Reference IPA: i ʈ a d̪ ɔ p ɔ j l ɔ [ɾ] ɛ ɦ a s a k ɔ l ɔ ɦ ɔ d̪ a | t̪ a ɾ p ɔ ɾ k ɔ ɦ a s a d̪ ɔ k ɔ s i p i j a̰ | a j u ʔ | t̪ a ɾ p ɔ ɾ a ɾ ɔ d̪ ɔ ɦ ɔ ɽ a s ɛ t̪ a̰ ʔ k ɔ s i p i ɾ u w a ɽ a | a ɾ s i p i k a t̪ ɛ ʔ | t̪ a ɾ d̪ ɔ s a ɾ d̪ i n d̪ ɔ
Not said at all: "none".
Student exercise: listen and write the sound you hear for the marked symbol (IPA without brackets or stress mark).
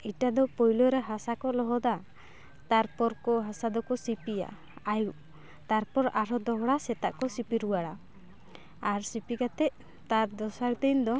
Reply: ɾ